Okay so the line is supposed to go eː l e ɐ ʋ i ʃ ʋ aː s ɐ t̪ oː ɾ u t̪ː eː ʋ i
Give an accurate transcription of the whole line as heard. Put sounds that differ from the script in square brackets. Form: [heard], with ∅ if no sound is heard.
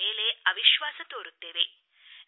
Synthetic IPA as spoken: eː l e ɐ ʋ i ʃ ʋ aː s ɐ t̪ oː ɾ u t̪ː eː ʋ [e]